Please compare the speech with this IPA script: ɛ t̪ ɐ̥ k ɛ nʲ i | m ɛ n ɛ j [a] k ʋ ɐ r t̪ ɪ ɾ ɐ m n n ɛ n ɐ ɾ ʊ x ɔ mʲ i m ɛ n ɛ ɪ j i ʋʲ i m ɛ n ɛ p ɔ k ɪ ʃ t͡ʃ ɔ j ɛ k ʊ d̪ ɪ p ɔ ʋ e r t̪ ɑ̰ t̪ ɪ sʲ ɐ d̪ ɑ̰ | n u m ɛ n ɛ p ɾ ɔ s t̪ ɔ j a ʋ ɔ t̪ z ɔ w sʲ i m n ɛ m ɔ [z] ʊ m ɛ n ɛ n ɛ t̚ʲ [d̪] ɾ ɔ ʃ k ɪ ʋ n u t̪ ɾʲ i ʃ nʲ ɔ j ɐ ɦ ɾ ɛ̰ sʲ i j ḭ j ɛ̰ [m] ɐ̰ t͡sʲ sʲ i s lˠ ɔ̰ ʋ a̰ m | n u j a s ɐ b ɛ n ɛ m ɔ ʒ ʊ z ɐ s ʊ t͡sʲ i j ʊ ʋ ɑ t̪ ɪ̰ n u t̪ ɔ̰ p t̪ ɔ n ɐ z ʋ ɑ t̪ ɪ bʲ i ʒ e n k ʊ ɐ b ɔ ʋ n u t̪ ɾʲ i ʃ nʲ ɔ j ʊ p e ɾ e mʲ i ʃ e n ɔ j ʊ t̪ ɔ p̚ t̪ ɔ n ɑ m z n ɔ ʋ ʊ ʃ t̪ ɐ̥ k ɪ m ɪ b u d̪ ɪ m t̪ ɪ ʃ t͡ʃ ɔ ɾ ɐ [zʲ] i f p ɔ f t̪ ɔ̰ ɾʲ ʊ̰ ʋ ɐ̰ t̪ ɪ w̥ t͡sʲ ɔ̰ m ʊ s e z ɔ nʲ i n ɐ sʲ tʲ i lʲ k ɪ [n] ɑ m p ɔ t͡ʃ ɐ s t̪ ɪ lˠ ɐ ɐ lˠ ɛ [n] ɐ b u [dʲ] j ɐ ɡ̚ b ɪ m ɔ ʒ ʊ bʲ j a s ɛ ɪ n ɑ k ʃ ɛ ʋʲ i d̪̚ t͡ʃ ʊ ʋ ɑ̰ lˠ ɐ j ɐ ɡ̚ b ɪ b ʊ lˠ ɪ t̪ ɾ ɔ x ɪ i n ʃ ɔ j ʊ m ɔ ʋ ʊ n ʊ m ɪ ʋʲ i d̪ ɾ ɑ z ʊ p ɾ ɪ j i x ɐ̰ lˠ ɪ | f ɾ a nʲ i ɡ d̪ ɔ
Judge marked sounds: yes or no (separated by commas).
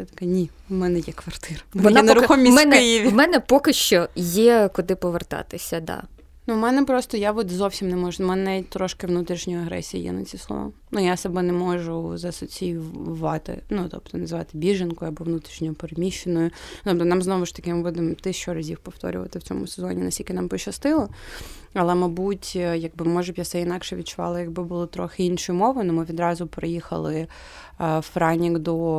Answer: no, no, no, no, yes, yes, no, no